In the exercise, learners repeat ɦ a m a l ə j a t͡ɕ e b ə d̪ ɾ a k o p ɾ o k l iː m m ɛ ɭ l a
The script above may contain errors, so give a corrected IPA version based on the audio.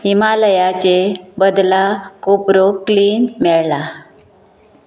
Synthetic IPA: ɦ i m a l ə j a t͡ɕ e b ə d̪ l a k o p ɾ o k l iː n m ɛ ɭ l a